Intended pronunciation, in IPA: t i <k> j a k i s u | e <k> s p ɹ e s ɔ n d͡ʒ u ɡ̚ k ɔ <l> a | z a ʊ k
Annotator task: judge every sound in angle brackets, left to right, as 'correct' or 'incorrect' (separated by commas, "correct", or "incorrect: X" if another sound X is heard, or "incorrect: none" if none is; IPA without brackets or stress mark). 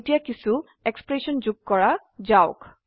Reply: incorrect: none, correct, incorrect: ɹ